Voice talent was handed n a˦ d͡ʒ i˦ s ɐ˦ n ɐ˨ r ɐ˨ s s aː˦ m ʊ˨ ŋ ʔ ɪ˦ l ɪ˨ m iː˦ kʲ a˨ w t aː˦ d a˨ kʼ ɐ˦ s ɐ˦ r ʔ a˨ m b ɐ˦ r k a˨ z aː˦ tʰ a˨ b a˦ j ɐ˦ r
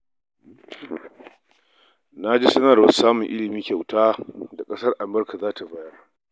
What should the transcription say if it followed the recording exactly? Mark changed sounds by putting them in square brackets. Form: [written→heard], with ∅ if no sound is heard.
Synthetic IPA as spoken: n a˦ d͡ʒ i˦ s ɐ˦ n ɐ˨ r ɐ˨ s s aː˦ m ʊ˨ ŋ ʔ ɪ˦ l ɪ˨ m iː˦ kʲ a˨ w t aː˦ d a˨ kʼ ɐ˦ s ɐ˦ r ʔ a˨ m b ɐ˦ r k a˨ z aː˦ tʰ a˨ b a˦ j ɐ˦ r